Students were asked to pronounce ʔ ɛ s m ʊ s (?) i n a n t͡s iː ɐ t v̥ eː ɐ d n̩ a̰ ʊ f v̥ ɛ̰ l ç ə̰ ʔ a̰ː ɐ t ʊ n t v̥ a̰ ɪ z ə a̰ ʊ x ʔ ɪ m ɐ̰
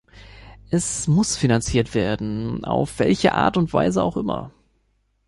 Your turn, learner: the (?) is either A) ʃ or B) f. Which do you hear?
B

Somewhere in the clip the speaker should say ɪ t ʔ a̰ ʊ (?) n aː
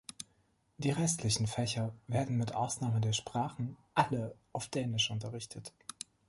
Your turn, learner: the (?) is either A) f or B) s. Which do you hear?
B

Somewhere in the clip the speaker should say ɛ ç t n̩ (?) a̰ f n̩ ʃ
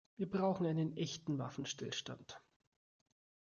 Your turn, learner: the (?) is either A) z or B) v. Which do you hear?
B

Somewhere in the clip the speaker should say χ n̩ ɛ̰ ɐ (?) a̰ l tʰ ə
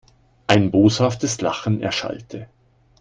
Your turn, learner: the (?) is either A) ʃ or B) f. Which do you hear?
A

